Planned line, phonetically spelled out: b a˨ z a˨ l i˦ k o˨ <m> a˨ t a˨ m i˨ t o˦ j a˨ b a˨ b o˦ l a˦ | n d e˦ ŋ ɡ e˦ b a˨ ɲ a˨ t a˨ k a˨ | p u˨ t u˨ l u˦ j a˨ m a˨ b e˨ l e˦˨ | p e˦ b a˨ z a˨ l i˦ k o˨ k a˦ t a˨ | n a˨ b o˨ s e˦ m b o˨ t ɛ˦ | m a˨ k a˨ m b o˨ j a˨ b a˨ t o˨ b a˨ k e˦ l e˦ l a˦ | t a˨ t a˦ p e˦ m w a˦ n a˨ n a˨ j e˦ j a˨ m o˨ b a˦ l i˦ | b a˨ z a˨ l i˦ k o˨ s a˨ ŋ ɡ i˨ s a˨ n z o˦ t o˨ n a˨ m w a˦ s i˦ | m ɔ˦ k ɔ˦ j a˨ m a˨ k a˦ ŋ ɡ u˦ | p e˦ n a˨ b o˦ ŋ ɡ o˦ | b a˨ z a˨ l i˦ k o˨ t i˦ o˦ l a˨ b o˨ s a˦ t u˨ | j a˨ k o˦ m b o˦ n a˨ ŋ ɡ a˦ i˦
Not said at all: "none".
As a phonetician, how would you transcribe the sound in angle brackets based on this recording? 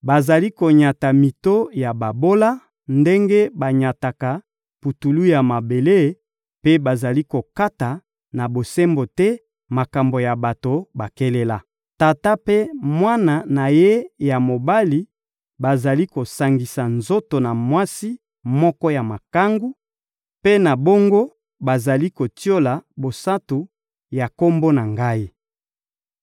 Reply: ɲ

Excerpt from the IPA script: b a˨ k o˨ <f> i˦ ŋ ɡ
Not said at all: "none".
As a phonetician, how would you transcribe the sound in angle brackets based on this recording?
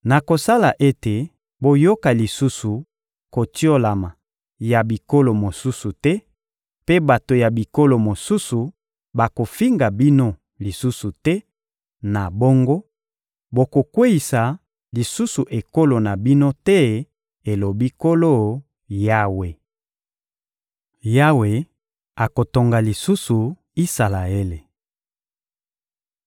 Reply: f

